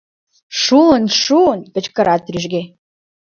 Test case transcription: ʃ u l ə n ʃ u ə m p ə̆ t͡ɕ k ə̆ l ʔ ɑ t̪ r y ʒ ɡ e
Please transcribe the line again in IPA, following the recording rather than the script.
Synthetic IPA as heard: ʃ u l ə n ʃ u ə n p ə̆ t͡ɕ k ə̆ ɾ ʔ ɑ t̪ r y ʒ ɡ e